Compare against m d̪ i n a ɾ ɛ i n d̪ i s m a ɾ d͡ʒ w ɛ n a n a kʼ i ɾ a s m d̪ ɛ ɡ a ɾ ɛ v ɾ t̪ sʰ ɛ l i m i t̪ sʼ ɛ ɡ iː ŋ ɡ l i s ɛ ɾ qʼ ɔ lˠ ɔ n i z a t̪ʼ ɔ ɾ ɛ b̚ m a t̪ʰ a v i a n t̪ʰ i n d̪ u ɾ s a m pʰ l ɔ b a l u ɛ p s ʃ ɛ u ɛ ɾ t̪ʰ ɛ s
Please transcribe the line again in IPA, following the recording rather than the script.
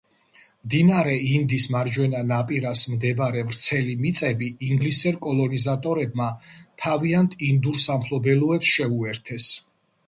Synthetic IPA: m d̪ i n a ɾ ɛ i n d̪ i s m a ɾ d͡ʒ w ɛ n a n a pʼ i ɾ a s m d̪ ɛ b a ɾ ɛ v ɾ t̪ sʰ ɛ l i m i t̪ sʼ ɛ b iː ŋ ɡ l i s ɛ ɾ kʼ ɔ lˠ ɔ n i z a t̪ʼ ɔ ɾ ɛ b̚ m a t̪ʰ a v i a n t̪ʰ i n d̪ u ɾ s a m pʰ l ɔ b ɛ l u ɛ p s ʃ ɛ u ɛ ɾ t̪ʰ ɛ s